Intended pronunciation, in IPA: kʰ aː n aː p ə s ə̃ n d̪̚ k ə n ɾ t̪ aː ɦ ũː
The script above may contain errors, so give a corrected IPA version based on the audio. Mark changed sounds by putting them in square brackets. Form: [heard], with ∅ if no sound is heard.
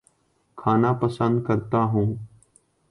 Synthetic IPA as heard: kʰ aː n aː p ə s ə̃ n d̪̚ k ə [∅] ɾ t̪ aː ɦ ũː